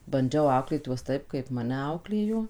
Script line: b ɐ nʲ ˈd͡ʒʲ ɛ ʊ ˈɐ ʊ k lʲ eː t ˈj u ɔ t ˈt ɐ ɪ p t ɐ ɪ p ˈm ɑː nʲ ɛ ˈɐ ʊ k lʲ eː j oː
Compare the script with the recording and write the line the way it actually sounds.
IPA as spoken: b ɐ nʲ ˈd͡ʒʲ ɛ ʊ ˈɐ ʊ k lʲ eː t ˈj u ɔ s ˈt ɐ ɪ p k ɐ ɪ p ˈm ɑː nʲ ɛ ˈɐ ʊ k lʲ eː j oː